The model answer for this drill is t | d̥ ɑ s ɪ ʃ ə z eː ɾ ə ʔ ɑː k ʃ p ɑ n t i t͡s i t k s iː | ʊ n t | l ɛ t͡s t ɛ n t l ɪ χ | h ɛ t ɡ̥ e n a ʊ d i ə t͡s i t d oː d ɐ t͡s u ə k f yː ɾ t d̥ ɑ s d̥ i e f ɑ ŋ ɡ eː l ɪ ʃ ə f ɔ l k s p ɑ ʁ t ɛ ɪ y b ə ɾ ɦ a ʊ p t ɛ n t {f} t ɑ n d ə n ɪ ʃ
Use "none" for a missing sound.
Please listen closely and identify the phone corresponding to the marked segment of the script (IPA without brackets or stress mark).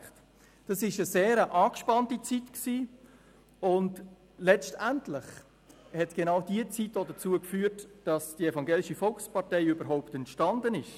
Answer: ʃ